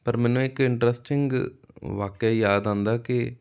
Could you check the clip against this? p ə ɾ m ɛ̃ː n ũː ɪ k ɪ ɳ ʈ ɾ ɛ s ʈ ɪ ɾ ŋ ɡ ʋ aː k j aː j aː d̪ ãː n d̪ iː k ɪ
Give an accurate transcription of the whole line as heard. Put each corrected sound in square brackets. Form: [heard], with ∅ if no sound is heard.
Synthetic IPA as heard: p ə ɾ m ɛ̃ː n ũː ɪ k ɪ ɳ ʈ ɾ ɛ s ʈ ɪ [∅] ŋ ɡ ʋ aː k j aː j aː d̪ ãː n d̪ [aː] k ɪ